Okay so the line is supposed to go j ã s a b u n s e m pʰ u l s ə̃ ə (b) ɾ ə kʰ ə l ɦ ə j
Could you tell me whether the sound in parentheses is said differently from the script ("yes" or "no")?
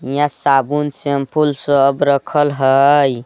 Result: no